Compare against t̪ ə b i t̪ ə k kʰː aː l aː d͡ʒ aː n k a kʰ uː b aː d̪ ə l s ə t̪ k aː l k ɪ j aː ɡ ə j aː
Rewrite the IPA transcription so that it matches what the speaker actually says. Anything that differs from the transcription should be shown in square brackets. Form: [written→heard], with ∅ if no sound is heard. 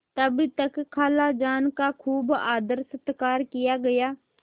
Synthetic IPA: t̪ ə b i t̪ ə k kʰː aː l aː d͡ʒ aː n k a kʰ uː b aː d̪ ə [l→ɾ] s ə t̪ k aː [l→ɾ] k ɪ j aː ɡ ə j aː